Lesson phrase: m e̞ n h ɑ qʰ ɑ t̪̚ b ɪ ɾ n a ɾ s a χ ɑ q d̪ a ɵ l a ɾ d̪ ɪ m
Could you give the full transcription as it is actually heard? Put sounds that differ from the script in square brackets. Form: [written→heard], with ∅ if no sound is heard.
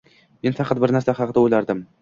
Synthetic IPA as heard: m e̞ n [h→f] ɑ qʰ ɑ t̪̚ b ɪ ɾ n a ɾ s a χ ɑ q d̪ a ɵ l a ɾ d̪ ɪ m